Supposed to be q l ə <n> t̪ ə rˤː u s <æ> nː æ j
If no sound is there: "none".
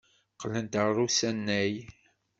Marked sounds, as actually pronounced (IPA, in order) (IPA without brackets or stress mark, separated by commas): n, æ